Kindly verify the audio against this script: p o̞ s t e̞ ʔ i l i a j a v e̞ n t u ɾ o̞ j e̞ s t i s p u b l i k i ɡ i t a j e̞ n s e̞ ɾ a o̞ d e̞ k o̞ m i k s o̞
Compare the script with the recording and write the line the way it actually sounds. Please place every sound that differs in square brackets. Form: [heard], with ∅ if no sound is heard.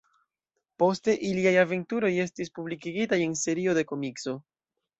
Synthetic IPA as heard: p o̞ s t e̞ ʔ i l i a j a v e̞ n t u ɾ o̞ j e̞ s t i s p u b l i k i ɡ i t a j e̞ n s e̞ ɾ [i] o̞ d e̞ k o̞ m i k s o̞